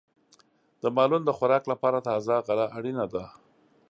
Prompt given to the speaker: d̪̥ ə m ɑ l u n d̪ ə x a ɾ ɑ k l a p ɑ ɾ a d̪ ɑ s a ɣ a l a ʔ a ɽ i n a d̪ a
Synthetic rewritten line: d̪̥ ə m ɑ l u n d̪ ə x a ɾ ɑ k l a p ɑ ɾ a t̪ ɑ z a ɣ a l a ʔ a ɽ i n a d̪ a